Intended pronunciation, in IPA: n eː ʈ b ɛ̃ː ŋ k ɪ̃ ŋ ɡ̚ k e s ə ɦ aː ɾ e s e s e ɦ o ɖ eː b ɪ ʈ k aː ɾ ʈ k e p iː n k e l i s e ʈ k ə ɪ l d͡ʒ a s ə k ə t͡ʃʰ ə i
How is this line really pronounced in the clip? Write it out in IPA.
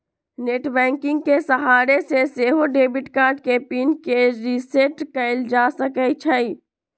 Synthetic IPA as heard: n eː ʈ b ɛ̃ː ŋ k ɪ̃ ŋ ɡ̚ k e s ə ɦ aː ɾ e s e s e ɦ o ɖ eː b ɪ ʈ k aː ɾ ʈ k e p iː n k e ɾ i s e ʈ k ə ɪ l d͡ʒ a s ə k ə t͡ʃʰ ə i